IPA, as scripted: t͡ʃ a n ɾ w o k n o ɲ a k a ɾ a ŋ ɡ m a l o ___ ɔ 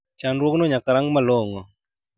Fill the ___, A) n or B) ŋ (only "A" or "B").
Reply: B